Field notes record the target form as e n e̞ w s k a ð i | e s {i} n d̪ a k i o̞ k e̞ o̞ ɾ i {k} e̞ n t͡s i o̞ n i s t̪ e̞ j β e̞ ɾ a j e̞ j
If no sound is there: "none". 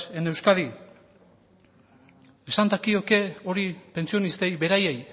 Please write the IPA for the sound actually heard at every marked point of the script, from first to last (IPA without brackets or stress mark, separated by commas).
a, p